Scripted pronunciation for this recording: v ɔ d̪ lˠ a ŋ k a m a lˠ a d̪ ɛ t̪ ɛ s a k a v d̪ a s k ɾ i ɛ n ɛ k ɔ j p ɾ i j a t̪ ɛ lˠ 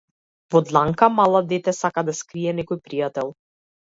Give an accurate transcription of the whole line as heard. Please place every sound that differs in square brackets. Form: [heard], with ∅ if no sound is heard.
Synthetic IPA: v ɔ d̪ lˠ a ŋ k a m a lˠ a d̪ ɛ t̪ ɛ s a k a [∅] d̪ a s k ɾ i ɛ n ɛ k ɔ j p ɾ i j a t̪ ɛ lˠ